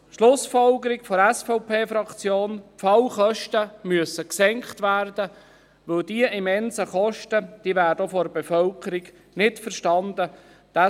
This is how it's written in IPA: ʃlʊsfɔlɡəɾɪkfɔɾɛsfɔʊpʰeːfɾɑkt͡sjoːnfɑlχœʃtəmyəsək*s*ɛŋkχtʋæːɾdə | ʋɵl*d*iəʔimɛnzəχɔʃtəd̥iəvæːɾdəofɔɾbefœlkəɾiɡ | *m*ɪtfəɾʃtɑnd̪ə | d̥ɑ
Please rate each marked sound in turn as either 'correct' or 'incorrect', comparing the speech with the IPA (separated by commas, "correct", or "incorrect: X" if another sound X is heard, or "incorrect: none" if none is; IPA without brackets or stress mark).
correct, correct, incorrect: n